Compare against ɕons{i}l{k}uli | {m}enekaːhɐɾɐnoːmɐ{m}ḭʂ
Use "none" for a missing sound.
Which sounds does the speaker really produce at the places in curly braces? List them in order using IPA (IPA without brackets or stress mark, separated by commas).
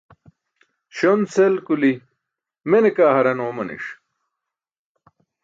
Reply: e, k, m, n